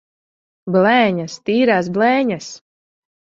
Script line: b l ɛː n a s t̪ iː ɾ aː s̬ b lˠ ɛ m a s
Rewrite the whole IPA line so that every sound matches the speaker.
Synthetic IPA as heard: b l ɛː ɲ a s t̪ iː ɾ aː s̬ b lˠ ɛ ɲ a s